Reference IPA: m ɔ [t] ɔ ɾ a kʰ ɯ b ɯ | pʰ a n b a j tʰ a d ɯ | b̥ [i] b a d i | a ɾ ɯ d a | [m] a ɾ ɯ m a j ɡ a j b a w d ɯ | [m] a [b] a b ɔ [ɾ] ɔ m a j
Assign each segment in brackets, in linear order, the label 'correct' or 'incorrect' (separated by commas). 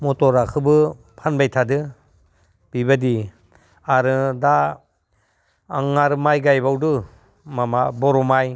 correct, correct, incorrect, correct, incorrect, correct